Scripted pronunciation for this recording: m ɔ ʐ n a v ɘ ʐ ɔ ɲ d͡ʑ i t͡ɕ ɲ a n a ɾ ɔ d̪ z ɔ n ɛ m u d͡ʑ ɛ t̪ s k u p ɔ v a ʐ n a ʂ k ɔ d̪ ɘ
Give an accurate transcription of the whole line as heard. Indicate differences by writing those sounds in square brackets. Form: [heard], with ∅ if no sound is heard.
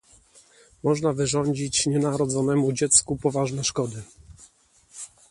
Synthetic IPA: m ɔ ʐ n a v ɘ ʐ ɔ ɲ d͡ʑ i t͡ɕ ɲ [ɛ] n a ɾ ɔ d̪ z ɔ n ɛ m u d͡ʑ ɛ t̪ s k u p ɔ v a ʐ n [ɛ] ʂ k ɔ d̪ ɘ